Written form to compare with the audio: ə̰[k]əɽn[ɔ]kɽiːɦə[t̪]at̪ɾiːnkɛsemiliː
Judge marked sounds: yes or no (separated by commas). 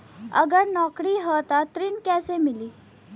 no, yes, yes